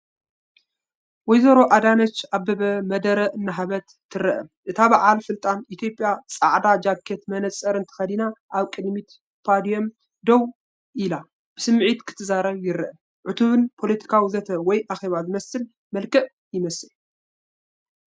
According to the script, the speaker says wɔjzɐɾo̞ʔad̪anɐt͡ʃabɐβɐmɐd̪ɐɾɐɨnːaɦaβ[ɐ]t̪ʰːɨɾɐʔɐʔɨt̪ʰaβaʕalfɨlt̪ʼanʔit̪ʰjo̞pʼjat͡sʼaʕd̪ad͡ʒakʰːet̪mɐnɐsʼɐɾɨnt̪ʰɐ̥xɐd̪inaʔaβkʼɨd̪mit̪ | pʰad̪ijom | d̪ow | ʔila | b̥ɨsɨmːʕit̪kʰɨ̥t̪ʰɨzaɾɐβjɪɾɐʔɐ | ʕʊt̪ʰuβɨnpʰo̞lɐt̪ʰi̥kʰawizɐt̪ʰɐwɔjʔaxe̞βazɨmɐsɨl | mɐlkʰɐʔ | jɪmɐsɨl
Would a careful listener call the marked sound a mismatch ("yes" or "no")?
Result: no